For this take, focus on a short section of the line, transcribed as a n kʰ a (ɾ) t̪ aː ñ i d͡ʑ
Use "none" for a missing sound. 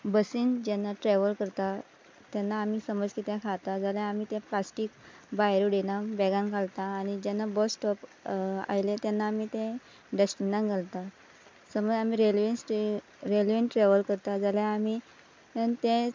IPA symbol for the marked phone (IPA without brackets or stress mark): l